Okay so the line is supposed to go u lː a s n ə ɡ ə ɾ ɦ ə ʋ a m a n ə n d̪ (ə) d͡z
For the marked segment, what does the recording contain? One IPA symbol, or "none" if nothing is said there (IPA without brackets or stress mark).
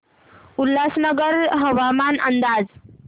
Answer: a